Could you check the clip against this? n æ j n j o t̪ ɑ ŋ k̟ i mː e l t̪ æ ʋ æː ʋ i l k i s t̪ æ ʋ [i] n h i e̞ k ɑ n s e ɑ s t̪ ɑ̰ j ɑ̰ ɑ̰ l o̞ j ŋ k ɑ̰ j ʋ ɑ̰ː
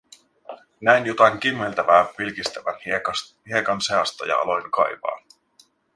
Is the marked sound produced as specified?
no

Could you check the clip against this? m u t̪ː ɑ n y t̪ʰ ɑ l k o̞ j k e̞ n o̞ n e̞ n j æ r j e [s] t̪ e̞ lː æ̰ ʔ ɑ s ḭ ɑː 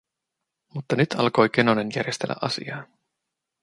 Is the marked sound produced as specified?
yes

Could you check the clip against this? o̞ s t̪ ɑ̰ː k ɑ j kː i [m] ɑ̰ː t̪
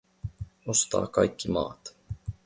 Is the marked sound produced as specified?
yes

